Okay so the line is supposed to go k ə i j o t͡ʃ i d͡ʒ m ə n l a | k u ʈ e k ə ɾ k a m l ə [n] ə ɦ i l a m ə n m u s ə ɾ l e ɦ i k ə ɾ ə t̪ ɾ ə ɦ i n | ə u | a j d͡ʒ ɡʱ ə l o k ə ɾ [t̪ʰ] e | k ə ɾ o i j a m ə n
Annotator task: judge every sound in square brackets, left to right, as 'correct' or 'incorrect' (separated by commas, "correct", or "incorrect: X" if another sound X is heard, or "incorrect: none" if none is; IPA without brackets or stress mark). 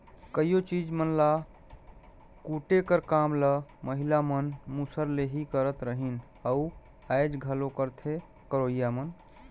incorrect: m, correct